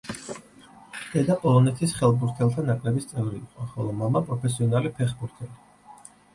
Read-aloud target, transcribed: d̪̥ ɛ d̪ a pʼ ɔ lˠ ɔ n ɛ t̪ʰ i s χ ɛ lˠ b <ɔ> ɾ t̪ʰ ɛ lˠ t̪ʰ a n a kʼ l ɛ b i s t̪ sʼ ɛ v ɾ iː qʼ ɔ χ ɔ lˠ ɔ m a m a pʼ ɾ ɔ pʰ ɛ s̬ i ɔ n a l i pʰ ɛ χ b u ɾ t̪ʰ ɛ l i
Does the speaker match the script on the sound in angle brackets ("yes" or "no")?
no